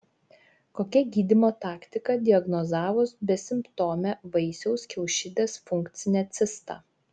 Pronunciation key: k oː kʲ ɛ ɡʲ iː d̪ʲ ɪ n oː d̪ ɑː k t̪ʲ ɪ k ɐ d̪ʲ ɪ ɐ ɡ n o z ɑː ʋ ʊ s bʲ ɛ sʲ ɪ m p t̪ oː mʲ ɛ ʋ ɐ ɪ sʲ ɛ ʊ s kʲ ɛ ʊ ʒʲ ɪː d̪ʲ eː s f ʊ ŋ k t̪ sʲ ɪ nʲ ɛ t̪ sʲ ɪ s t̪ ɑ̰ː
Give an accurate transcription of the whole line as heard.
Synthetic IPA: k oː kʲ ɛ ɡʲ iː d̪ʲ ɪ m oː t̪ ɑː k t̪ʲ ɪ k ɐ d̪ʲ ɪ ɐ ɡ n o z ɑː ʋ ʊ s bʲ ɛ sʲ ɪ m p t̪ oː mʲ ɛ ʋ ɐ ɪ sʲ ɛ ʊ s kʲ ɛ ʊ ʃʲ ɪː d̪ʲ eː s f ʊ ŋ k t̪ sʲ ɪ nʲ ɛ t̪ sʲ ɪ s t̪ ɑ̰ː